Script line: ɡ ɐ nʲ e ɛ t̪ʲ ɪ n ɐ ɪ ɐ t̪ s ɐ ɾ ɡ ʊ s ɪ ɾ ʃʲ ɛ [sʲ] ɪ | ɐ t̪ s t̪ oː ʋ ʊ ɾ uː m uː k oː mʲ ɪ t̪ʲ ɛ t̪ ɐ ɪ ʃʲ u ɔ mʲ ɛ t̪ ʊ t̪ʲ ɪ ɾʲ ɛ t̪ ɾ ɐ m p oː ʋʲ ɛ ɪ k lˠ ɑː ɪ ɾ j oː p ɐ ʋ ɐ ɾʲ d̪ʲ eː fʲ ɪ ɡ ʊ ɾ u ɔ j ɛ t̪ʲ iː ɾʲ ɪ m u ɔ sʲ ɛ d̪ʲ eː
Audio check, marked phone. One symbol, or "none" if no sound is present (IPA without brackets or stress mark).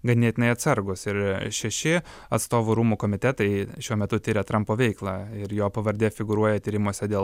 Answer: ʃʲ